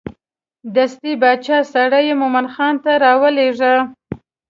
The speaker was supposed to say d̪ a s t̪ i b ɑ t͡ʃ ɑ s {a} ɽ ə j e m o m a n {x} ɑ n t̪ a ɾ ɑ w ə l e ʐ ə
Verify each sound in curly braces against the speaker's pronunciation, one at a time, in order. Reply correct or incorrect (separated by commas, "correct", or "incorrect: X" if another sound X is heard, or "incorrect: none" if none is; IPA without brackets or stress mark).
correct, correct